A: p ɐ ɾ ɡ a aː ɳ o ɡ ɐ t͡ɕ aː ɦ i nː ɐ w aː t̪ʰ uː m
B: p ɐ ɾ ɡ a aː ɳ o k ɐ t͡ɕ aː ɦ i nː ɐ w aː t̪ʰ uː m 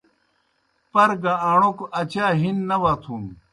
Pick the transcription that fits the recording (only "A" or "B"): B